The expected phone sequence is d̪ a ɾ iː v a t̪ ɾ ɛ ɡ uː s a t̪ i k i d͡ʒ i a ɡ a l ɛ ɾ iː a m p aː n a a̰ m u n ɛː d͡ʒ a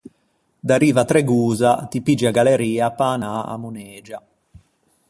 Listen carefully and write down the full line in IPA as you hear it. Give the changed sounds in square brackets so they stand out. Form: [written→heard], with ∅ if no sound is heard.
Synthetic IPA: d̪ a ɾ iː v a t̪ ɾ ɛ ɡ uː [s→z] a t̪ i [k→p] i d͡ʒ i a ɡ a l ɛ ɾ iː a [m→∅] p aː n a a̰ m u n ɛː d͡ʒ a